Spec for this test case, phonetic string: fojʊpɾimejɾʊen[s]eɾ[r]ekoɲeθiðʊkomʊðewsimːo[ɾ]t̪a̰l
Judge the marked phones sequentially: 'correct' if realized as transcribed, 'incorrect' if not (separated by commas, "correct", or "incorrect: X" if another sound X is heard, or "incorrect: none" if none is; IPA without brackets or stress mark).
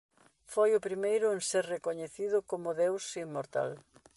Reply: correct, correct, correct